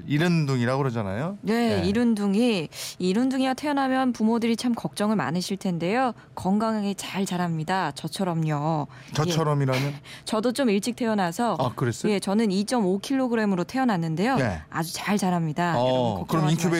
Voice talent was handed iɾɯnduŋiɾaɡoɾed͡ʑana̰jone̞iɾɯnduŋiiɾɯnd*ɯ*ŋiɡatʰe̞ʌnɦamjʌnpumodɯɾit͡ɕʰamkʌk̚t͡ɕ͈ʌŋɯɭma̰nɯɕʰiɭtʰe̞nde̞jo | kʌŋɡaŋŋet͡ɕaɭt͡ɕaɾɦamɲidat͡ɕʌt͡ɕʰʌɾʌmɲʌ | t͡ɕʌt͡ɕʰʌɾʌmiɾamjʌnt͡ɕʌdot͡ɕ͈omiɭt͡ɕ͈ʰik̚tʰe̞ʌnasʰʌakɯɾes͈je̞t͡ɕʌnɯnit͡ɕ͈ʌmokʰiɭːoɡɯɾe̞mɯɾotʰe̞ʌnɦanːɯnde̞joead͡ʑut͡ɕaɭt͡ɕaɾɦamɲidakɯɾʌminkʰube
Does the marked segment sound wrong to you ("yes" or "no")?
yes